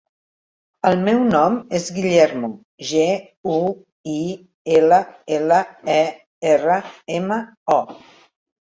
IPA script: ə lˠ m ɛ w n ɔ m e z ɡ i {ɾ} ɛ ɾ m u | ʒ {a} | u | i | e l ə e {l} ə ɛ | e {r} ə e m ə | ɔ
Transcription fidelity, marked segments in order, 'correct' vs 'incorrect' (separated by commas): incorrect, incorrect, correct, correct